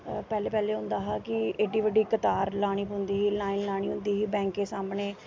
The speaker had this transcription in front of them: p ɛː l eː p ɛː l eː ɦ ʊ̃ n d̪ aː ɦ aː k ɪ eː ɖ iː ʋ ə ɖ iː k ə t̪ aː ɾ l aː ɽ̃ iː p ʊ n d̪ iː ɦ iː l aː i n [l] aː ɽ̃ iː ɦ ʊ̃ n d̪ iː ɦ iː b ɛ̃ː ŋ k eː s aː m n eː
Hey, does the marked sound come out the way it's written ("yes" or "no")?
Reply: yes